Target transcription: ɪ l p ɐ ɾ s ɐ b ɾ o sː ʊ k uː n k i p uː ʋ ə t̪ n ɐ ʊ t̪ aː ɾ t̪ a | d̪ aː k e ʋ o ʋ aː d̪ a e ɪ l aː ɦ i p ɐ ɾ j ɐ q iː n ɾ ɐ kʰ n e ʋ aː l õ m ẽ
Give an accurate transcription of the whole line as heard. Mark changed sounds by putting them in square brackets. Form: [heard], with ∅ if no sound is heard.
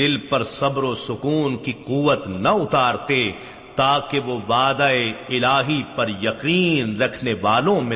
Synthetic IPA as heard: ɪ l p ɐ ɾ s ɐ b ɾ o [s] ʊ k uː n k i [q] uː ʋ ə t̪ n ɐ ʊ t̪ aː ɾ t̪ [e] | [t̪] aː k e ʋ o ʋ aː d̪ a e ɪ l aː ɦ i p ɐ ɾ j ɐ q iː n ɾ ɐ kʰ n e ʋ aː l õ m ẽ